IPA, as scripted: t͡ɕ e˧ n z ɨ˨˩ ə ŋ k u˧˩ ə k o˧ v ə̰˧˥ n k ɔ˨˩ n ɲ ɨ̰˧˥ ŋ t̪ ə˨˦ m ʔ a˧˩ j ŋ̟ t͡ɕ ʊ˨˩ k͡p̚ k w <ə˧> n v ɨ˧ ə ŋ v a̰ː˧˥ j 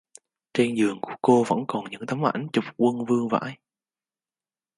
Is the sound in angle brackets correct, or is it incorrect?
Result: correct